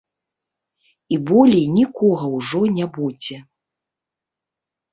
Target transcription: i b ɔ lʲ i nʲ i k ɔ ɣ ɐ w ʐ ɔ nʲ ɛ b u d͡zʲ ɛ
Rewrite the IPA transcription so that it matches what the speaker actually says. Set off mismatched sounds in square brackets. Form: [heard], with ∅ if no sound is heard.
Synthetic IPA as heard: i b ɔ lʲ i nʲ i k ɔ ɣ ɐ w ʐ ɔ nʲ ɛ b u d͡zʲ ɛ